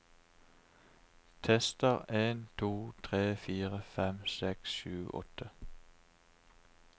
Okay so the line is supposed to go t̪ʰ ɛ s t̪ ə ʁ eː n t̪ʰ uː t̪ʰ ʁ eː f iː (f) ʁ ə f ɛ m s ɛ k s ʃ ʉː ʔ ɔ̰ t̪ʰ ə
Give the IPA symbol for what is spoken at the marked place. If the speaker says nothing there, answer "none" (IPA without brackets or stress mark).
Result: none